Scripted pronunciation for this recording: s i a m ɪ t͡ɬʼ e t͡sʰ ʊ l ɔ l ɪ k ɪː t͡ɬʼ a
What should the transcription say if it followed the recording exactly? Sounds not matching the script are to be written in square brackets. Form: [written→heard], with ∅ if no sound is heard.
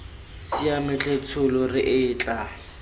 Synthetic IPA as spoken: s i a m ɪ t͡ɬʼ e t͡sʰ ʊ l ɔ [l→r] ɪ [k→ʔ] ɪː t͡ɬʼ a